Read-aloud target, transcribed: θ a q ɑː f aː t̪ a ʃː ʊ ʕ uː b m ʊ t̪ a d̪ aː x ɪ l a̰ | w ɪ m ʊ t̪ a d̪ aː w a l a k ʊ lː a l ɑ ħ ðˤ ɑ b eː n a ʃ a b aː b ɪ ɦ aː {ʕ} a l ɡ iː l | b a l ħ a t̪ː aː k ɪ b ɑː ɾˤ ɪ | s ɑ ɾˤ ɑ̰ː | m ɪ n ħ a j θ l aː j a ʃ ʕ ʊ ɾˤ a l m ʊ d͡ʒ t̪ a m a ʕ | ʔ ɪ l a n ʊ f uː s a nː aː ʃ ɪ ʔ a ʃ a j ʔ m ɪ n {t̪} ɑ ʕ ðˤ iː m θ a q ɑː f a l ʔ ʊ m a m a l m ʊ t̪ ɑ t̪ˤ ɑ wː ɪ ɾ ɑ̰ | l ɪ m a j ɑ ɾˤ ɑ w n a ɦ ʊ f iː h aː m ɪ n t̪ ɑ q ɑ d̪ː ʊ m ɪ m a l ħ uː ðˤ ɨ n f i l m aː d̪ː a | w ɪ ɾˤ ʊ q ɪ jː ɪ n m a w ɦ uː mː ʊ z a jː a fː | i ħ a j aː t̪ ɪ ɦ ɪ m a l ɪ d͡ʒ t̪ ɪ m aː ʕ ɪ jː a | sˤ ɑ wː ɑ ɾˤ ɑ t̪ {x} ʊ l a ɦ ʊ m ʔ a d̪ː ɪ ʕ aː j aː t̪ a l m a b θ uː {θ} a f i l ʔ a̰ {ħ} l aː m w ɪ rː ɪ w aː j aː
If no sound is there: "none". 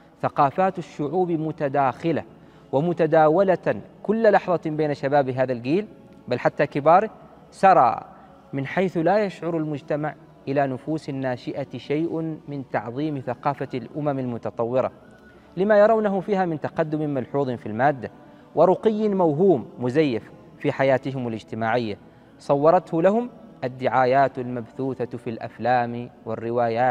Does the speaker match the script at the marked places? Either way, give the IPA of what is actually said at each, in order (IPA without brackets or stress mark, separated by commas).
ð, t̪, h, θ, f